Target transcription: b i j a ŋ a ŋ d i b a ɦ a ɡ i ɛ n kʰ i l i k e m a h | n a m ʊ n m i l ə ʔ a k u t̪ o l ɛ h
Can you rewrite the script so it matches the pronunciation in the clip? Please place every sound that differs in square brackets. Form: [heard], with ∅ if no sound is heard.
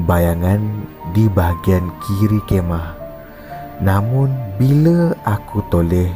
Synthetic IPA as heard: b [a] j a ŋ a [n] d i b a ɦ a ɡ i [a] n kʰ i [ɾ] i k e m a h | n a m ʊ n [b] i l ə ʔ a k u t̪ o l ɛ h